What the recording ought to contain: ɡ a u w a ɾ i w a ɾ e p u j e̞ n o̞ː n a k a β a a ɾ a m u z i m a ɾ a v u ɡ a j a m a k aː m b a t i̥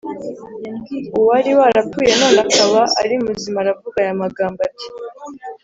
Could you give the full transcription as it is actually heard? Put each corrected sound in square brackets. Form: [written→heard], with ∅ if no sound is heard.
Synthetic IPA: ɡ [a→i] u w a ɾ i w a ɾ [e→a] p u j e̞ n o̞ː n a k a β a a ɾ [a→i] m u z i m a ɾ a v u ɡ a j a m a [k→ɡ] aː m b a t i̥